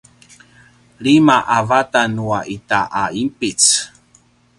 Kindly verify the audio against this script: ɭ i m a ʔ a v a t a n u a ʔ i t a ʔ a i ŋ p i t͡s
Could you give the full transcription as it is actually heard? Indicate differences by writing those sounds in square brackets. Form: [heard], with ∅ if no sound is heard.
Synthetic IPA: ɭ i m a ʔ a v a t a n u a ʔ i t a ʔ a i [m] p i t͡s